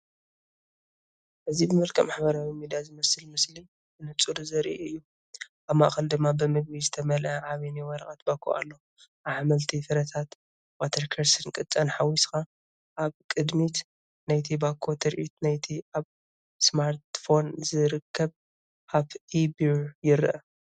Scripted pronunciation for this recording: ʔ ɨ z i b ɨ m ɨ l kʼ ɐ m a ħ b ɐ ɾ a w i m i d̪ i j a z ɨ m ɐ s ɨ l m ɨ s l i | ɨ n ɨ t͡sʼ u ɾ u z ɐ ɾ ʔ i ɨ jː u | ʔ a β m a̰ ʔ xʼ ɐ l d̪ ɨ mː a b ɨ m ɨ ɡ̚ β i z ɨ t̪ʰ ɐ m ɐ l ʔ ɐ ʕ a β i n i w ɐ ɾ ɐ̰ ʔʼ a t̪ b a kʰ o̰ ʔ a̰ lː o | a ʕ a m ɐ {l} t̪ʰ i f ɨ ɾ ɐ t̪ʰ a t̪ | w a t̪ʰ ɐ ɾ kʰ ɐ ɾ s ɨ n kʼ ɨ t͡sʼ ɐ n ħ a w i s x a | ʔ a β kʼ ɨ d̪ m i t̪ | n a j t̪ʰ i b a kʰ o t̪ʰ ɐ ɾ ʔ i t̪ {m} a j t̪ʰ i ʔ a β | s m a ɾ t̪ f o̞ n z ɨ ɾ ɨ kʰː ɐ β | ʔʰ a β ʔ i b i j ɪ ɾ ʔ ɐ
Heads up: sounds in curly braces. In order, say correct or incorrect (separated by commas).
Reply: correct, incorrect